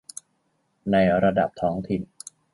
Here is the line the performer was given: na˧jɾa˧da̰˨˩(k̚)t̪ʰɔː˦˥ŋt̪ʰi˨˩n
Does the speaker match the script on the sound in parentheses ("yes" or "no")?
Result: no